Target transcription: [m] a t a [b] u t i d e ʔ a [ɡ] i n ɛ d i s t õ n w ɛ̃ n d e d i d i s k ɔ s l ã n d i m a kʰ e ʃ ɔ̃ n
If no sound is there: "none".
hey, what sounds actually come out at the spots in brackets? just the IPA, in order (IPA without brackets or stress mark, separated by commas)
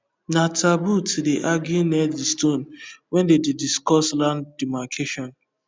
n, b, ɡ